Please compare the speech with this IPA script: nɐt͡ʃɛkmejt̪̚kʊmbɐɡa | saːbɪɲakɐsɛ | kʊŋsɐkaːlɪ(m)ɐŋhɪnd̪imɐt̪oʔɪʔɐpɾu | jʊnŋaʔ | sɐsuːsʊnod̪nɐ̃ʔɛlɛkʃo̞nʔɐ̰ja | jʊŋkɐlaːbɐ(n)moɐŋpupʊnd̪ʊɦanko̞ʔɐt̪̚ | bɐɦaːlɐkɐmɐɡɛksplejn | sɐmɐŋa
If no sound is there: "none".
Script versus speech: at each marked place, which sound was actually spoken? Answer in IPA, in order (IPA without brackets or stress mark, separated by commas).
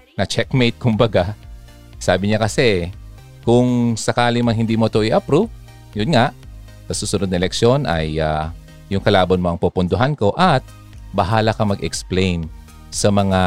m, n